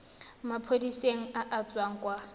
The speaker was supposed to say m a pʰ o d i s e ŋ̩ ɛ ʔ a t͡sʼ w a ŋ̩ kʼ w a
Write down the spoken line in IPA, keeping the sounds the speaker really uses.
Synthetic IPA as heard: m a pʰ o d i s e ŋ̩ a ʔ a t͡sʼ w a ŋ̩ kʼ w a